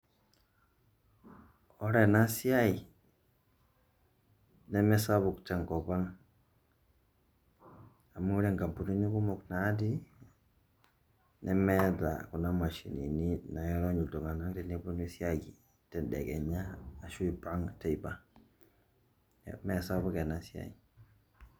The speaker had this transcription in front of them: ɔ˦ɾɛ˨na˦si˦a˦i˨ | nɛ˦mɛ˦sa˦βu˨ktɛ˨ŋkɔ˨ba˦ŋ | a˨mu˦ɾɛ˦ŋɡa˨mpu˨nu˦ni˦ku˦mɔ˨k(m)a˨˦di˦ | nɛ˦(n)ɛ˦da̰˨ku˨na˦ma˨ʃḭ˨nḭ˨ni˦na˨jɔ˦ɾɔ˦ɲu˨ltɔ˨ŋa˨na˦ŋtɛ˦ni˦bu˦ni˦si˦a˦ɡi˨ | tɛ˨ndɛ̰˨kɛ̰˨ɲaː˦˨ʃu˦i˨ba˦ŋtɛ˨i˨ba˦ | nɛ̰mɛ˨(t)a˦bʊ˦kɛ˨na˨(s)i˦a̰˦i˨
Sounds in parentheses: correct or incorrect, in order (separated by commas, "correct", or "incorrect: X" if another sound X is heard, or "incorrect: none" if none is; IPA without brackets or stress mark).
incorrect: n, incorrect: m, incorrect: s, correct